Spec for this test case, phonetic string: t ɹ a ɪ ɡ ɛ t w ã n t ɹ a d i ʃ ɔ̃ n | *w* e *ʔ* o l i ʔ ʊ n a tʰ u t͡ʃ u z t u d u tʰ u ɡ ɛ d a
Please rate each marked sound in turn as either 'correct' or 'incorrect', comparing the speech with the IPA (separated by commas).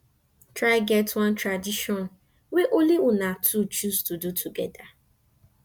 correct, correct